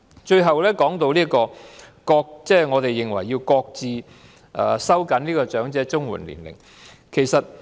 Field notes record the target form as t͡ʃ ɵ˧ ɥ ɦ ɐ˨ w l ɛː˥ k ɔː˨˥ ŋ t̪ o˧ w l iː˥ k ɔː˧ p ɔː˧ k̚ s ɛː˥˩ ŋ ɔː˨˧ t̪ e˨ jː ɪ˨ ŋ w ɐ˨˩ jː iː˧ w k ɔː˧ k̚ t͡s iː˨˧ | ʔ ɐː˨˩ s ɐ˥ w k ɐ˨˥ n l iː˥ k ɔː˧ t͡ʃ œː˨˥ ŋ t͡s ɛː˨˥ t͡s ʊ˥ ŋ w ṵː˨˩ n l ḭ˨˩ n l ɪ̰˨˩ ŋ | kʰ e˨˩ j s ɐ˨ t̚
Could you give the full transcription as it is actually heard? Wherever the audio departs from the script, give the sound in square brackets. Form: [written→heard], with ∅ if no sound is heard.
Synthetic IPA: t͡ʃ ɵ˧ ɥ ɦ ɐ˨ w l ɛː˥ k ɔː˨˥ ŋ t̪ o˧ w l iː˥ k ɔː˧ [p→k] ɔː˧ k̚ [s→t͡s] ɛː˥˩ ŋ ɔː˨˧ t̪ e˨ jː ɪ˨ ŋ w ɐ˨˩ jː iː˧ w k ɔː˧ k̚ t͡s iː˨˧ | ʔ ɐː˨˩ s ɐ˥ w k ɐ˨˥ n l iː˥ k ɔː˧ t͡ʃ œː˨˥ ŋ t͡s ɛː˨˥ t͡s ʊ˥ ŋ w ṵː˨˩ n l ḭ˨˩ n l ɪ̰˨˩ ŋ | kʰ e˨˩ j s ɐ˨ t̚